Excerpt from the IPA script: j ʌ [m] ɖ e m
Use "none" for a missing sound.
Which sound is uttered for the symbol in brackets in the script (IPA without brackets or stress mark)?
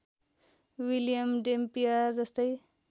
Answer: m